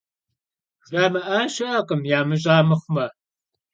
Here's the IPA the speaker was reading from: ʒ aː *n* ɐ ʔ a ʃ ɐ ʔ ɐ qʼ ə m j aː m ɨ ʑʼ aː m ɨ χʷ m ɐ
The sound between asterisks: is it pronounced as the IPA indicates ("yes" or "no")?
no